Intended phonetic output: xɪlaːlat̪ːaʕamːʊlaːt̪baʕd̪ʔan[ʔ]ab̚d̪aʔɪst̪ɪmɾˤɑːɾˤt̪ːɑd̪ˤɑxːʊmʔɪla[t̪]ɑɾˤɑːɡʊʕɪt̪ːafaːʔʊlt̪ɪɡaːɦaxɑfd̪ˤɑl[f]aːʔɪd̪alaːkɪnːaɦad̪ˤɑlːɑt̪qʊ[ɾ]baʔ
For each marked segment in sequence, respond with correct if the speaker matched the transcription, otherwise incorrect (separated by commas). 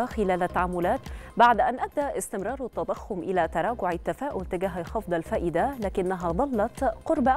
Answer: correct, correct, correct, correct